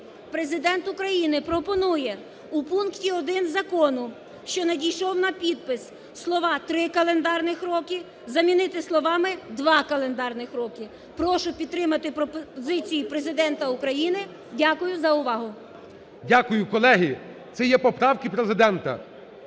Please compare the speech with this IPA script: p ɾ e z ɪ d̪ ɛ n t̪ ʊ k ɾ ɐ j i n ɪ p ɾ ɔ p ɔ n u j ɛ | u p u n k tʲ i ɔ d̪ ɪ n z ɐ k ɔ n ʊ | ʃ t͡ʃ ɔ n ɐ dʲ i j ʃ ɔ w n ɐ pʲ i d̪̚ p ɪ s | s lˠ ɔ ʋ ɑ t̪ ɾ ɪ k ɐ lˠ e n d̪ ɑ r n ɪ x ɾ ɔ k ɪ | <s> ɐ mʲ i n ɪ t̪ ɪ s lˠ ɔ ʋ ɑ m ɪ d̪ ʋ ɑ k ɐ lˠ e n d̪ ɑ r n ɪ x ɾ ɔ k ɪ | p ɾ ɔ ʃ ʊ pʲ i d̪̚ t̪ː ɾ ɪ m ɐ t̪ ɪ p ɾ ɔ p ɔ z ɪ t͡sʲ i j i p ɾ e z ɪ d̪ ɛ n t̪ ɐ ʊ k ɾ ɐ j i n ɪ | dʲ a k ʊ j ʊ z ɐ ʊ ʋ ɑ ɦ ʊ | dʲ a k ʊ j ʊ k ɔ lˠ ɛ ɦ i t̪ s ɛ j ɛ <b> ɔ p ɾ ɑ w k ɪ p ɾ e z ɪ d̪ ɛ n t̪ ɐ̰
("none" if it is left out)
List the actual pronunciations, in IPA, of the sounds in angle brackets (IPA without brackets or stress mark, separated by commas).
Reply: z, p